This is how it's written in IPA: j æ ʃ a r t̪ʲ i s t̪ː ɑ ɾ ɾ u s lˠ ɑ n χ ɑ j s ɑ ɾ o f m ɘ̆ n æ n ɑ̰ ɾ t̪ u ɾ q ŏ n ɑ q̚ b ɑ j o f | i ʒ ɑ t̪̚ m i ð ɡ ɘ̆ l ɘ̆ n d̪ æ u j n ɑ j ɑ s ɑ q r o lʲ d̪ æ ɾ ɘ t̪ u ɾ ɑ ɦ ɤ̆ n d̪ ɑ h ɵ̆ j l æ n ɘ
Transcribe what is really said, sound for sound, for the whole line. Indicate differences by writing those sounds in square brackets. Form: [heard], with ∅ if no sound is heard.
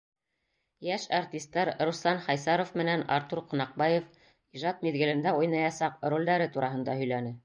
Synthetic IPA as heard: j æ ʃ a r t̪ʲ i s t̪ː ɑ ɾ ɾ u s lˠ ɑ n χ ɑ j s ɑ ɾ o f m ɘ̆ n æ n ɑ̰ ɾ t̪ u ɾ q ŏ n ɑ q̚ b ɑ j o f | i ʒ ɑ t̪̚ m i ð ɡ ɘ̆ l ɘ̆ n d̪ æ u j n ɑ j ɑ s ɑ q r o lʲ d̪ æ ɾ ɘ t̪ u ɾ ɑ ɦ ɤ̆ n d̪ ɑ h ɵ̆ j l æ n ɘ

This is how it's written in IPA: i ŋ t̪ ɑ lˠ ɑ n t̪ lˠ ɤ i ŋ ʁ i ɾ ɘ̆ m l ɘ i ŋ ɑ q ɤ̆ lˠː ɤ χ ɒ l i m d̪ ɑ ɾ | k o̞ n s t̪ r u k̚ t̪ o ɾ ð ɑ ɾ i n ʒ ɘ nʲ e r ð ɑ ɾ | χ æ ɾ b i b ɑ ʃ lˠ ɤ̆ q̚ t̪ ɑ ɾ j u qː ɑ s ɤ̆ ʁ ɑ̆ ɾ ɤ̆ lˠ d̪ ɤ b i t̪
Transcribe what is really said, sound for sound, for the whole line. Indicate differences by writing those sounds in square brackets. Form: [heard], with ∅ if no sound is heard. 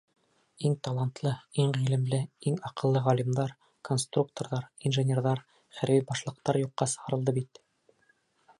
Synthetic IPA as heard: i ŋ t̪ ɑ lˠ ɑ n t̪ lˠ ɤ i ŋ ʁ i [l] ɘ̆ m l ɘ i ŋ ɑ q ɤ̆ lˠː ɤ [ʁ] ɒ l i m d̪ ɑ ɾ | k o̞ n s t̪ r u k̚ t̪ o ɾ ð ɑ ɾ i n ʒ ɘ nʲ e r ð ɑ ɾ | χ æ ɾ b i b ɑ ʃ lˠ ɤ̆ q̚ t̪ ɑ ɾ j u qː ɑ s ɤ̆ ʁ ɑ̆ ɾ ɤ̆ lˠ d̪ ɤ b i t̪

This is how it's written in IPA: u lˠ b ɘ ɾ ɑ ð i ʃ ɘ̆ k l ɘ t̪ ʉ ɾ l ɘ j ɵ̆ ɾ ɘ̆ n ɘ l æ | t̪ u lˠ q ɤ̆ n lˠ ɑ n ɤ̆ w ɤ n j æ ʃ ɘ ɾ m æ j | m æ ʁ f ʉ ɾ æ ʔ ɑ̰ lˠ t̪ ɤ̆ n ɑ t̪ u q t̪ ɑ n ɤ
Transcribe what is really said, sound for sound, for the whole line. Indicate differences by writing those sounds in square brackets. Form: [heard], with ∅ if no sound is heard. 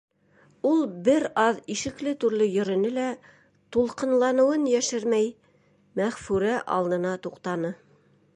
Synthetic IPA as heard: u lˠ b ɘ ɾ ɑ ð i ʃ ɘ̆ k l ɘ t̪ ʉ ɾ l ɘ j ɵ̆ ɾ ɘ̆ n ɘ l æ | t̪ u lˠ q ɤ̆ n lˠ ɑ n ɤ̆ w ɤ n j æ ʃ ɘ ɾ m æ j | m æ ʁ f ʉ ɾ æ ʔ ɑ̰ lˠ [d̪] ɤ̆ n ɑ t̪ u q t̪ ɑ n ɤ

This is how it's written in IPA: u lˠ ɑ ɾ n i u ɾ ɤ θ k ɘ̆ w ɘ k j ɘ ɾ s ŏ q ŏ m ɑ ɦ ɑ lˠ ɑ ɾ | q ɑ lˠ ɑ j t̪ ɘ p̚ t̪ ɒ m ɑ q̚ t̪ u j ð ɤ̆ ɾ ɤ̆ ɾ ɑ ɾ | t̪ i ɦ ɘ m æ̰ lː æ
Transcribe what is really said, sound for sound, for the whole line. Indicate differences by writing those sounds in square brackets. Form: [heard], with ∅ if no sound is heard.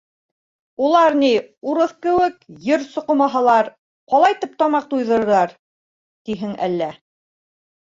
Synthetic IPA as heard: u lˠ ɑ ɾ n i u ɾ ɤ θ k ɘ̆ w ɘ k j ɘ ɾ s ŏ q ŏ m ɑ ɦ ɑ lˠ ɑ ɾ | q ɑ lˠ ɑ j t̪ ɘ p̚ t̪ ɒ m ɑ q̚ t̪ u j ð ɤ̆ ɾ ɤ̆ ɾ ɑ ɾ | t̪ i ɦ ɘ [ŋ] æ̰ lː æ

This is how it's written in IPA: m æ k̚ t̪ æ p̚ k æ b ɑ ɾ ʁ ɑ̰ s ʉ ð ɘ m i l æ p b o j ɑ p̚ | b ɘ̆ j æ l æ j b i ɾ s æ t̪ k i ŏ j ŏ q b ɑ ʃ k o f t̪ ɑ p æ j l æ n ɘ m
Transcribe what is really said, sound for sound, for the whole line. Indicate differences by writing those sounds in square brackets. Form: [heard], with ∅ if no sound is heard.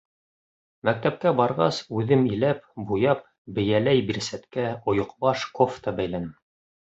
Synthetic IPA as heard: m æ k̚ t̪ æ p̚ k æ b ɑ ɾ ʁ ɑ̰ s ʉ ð ɘ m i l æ p b [u] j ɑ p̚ | b ɘ̆ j æ l æ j b i ɾ s æ t̪ k [æ] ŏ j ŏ q b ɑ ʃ k o f t̪ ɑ [b] æ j l æ n ɘ m

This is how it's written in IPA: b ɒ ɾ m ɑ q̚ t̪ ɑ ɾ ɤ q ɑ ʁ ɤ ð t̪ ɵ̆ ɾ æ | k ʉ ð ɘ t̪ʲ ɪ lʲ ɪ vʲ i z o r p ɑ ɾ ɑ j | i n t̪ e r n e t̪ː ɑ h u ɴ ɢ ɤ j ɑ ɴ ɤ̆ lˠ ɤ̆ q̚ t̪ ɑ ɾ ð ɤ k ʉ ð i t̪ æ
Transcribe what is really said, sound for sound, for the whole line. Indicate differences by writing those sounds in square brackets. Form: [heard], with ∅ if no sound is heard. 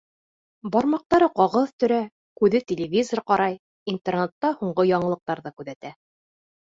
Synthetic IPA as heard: b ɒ ɾ m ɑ q̚ t̪ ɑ ɾ ɤ q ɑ ʁ ɤ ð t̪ ɵ̆ ɾ æ | k ʉ ð ɘ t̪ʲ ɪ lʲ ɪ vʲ i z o r [q] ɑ ɾ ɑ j | i n t̪ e r n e t̪ː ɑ h u ɴ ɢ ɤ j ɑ ɴ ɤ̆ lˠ ɤ̆ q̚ t̪ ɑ ɾ ð ɤ k ʉ ð [æ] t̪ æ

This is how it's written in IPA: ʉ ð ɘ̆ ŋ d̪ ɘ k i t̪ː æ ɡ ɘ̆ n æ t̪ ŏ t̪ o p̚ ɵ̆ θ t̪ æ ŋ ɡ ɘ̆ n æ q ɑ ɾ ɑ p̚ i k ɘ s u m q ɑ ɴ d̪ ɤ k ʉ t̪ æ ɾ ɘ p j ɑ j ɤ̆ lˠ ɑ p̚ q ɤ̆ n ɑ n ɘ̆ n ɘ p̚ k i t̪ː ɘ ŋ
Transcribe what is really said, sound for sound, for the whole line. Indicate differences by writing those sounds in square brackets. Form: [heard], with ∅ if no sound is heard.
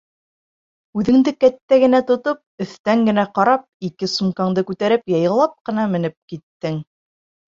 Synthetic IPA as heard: ʉ ð ɘ̆ ŋ d̪ ɘ k [æ] t̪ː æ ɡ ɘ̆ n æ t̪ ŏ t̪ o p̚ ɵ̆ θ t̪ æ ŋ ɡ ɘ̆ n æ q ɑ ɾ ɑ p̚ i k ɘ s u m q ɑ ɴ d̪ ɤ k ʉ t̪ æ ɾ ɘ p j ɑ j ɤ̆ lˠ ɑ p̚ q ɤ̆ n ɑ [m] ɘ̆ n ɘ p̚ k i t̪ː ɘ ŋ

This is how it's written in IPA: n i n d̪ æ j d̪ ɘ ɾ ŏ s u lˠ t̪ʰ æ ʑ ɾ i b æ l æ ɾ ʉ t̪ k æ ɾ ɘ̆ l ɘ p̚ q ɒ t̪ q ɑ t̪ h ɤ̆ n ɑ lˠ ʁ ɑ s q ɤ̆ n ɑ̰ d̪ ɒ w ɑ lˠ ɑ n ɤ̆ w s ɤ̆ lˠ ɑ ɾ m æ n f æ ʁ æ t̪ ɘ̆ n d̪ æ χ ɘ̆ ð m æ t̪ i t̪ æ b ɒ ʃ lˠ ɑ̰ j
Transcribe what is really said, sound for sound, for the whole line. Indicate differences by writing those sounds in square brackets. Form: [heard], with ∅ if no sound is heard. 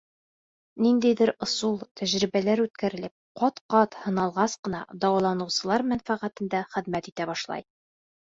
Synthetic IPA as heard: n i n d̪ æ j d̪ ɘ ɾ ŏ s u lˠ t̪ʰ æ ʑ ɾ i b æ l æ ɾ ʉ t̪ k æ ɾ ɘ̆ l ɘ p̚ q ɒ t̪ q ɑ t̪ h ɤ̆ n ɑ lˠ ʁ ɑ s q ɤ̆ n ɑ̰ d̪ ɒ w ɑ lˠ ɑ n ɤ̆ w s ɤ̆ lˠ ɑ ɾ m æ n f æ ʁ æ t̪ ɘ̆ n d̪ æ χ ɘ̆ ð m æ t̪ i t̪ æ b ɒ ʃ lˠ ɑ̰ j

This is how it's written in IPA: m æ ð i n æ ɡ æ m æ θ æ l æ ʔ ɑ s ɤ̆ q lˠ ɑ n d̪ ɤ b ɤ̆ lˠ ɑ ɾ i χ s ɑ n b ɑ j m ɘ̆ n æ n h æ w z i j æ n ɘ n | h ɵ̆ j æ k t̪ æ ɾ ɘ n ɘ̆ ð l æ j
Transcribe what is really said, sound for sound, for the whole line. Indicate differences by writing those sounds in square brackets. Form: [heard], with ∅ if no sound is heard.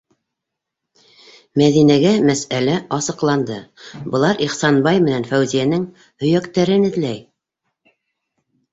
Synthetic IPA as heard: m æ ð i n æ ɡ æ m æ [s] æ l æ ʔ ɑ s ɤ̆ q lˠ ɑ n d̪ ɤ b ɤ̆ lˠ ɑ ɾ i χ s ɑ n b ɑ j m ɘ̆ n æ n [f] æ w z i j æ n ɘ [ŋ] | h ɵ̆ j æ k t̪ æ ɾ ɘ n ɘ̆ ð l æ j

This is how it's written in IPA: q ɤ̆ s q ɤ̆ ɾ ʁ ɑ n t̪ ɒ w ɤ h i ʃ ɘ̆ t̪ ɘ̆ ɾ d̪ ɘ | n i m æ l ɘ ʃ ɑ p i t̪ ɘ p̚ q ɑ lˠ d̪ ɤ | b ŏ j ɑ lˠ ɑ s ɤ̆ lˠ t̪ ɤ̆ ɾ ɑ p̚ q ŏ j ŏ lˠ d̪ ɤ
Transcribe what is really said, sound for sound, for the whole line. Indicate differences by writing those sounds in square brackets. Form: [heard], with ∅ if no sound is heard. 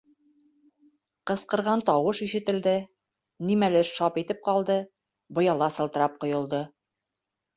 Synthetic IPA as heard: q ɤ̆ s q ɤ̆ ɾ ʁ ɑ n t̪ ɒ w ɤ [ʃ] i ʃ ɘ̆ t̪ ɘ̆ [l] d̪ ɘ | n i m æ l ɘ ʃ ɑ p i t̪ ɘ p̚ q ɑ lˠ d̪ ɤ | b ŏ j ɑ lˠ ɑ s ɤ̆ lˠ t̪ ɤ̆ ɾ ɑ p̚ q ŏ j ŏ lˠ d̪ ɤ

